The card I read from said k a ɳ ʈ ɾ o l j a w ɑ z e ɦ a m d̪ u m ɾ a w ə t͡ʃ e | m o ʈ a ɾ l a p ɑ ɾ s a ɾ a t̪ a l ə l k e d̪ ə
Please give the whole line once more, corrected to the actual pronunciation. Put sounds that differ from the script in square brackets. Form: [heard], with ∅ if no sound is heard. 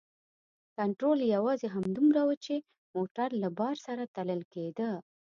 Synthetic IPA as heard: k a ɳ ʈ ɾ o l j a w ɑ z e ɦ a m d̪ u m ɾ a w ə t͡ʃ e | m o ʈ a ɾ l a [b] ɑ ɾ s a ɾ a t̪ a l ə l k e d̪ ə